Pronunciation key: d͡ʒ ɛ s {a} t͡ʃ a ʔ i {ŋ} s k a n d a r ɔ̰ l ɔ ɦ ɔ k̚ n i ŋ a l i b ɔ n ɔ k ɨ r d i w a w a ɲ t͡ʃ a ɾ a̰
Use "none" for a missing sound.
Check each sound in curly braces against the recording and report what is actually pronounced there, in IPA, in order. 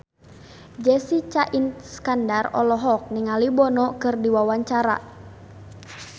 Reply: i, n

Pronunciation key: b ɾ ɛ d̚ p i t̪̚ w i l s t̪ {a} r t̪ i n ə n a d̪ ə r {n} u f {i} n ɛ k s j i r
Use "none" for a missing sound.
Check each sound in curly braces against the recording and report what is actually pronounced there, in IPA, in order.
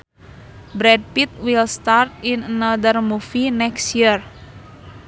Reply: a, m, i

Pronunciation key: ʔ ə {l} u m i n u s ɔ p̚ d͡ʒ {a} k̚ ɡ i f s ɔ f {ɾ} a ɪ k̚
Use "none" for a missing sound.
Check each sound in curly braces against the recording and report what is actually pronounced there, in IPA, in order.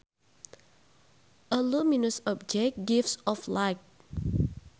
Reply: l, ɛ, l

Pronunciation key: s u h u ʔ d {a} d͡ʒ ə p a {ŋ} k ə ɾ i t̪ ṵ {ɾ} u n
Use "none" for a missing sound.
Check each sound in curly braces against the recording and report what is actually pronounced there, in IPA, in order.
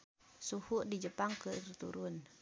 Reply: i, ŋ, ɾ

